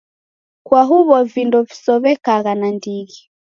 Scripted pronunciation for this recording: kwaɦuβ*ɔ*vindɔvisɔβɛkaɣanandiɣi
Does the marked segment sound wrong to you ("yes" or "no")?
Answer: no